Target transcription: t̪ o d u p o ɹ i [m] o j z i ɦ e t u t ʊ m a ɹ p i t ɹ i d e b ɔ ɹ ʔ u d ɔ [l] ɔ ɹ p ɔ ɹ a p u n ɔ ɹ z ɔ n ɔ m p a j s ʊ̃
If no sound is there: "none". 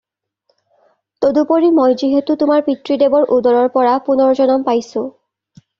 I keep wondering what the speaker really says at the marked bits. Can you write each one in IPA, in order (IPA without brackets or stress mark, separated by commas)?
m, ɹ